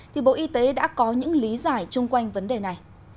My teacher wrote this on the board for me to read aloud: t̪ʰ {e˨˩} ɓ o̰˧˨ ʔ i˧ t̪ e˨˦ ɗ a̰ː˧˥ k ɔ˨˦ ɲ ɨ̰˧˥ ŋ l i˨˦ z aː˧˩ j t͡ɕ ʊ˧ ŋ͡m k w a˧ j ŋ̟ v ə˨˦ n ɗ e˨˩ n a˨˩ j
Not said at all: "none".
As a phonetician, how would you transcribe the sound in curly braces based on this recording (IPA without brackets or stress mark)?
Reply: i˨˩